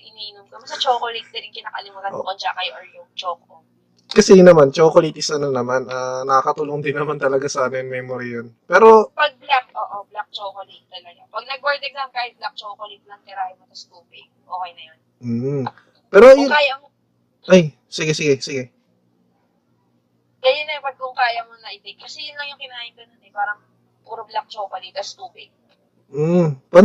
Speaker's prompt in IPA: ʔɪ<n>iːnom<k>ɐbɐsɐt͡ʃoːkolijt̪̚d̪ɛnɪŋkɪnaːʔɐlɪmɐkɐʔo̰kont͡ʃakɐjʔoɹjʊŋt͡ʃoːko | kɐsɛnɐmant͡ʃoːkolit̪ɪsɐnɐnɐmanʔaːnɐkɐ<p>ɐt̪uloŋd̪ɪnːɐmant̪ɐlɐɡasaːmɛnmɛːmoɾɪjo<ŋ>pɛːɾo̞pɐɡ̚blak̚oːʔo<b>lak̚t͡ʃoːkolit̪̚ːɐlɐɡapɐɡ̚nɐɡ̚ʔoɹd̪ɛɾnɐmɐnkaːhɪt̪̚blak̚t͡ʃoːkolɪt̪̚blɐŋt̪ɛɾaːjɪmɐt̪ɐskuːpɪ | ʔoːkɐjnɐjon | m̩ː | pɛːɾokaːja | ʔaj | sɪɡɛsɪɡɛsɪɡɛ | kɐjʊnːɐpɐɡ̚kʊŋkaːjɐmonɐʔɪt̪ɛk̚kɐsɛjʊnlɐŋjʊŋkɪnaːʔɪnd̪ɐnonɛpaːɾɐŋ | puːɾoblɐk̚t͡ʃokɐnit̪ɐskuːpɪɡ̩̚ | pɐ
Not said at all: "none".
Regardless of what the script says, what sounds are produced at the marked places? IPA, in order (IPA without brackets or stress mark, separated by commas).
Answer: n, k, k, n, b